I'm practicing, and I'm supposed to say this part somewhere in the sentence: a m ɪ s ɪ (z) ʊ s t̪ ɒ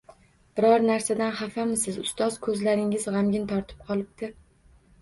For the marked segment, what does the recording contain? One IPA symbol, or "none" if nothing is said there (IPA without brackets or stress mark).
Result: z